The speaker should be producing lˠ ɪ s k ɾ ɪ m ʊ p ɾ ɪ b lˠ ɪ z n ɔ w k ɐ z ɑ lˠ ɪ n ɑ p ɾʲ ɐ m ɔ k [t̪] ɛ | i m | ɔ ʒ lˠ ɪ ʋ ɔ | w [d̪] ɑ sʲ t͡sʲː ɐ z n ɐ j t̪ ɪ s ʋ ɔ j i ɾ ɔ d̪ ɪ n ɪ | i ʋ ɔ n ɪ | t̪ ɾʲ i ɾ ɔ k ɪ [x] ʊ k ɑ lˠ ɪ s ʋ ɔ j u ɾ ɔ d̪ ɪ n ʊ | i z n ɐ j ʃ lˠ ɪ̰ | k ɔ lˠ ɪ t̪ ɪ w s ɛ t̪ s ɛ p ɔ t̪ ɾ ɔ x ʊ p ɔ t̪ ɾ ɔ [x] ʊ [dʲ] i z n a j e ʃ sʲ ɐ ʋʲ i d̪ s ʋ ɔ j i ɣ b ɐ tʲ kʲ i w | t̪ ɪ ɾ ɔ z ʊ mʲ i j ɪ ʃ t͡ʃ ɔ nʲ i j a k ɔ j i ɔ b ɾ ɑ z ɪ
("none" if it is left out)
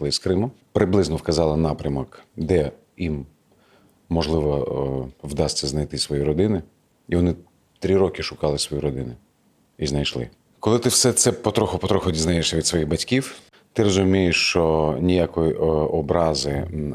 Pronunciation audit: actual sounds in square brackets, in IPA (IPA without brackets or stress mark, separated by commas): d̪, d̪, ʃ, x, dʲ